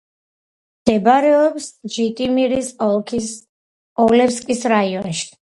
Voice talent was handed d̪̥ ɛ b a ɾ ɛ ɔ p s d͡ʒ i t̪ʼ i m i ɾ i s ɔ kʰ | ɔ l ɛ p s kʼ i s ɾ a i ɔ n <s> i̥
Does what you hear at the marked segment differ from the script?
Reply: yes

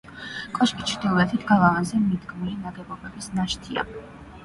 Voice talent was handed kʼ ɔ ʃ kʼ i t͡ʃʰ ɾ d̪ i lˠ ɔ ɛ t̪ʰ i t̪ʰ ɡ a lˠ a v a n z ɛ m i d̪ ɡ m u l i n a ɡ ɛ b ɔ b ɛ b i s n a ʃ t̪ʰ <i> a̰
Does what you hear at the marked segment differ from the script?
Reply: no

